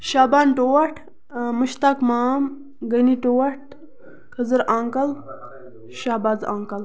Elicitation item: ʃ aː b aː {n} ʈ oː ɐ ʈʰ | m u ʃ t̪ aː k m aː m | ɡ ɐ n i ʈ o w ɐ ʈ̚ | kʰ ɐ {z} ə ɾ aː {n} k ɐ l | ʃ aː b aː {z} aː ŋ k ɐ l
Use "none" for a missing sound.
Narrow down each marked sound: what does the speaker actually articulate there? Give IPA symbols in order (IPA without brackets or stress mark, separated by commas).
n, z, ŋ, z